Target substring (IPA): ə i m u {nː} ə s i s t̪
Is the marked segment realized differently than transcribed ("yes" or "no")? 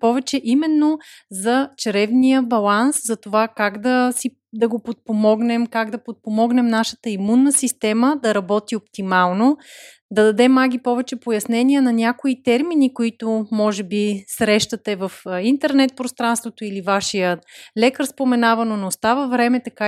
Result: no